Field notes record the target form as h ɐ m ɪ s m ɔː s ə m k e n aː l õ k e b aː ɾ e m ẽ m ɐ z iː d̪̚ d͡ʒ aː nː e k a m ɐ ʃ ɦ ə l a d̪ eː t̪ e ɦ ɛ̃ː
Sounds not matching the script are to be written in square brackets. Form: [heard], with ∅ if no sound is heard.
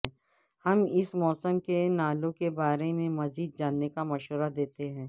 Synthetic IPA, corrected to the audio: h ɐ m ɪ s m ɔː s ə m k e n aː l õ k e b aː ɾ e m ẽ m ɐ z iː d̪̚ d͡ʒ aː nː e k a m ɐ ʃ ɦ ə [ɾ] a d̪ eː t̪ e ɦ ɛ̃ː